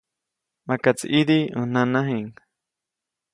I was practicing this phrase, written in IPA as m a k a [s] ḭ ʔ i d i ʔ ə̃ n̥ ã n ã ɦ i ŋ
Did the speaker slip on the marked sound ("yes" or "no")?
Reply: yes